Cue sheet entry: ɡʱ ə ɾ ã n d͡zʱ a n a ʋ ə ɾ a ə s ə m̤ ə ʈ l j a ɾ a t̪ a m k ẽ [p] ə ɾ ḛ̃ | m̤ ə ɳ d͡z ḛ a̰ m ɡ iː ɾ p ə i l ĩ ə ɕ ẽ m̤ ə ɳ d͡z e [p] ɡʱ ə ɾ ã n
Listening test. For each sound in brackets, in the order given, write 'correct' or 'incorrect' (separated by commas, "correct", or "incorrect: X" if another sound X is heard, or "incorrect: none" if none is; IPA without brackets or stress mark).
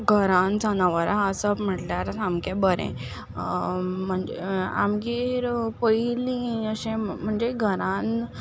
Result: incorrect: b, incorrect: none